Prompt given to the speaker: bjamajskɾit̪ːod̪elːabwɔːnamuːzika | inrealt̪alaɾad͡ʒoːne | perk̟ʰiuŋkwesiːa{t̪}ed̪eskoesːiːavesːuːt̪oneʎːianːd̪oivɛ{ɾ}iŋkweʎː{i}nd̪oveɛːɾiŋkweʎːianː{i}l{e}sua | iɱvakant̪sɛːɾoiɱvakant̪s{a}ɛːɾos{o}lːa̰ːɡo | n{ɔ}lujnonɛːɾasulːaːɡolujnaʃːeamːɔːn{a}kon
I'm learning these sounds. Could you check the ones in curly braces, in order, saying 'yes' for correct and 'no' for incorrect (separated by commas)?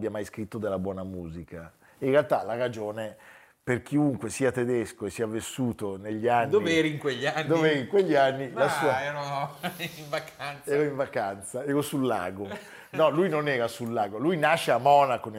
yes, yes, no, yes, no, yes, no, yes, yes